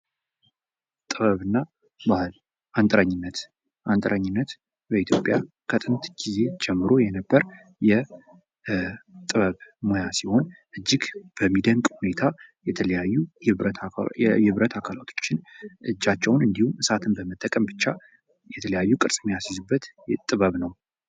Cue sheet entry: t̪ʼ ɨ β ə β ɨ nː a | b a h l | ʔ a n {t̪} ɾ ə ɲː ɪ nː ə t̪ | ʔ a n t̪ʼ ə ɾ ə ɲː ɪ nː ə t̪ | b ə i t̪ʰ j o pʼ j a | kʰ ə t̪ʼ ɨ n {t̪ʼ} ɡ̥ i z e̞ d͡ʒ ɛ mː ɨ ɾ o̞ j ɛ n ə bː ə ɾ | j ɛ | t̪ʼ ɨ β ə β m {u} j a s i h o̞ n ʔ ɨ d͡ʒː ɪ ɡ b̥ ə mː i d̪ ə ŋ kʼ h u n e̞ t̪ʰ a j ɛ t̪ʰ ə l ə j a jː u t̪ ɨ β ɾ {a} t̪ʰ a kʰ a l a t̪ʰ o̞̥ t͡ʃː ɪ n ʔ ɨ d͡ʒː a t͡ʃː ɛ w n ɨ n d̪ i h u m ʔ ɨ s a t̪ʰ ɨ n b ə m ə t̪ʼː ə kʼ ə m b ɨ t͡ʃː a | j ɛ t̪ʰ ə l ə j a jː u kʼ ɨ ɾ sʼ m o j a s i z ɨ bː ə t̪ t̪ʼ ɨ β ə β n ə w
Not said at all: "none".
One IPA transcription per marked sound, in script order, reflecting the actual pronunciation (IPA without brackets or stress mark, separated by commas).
t̪ʼ, t̪, o, ə